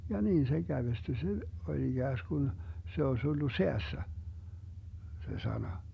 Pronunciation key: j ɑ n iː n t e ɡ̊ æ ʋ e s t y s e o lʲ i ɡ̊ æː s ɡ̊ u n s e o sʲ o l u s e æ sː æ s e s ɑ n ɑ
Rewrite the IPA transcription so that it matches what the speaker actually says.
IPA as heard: j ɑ n iː n s e ɡ̊ æ ʋ e s t y s e o lʲ i ɡ̊ æː s ɡ̊ u n s e o sʲ o lː u s e æ sː æ s e s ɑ n ɑ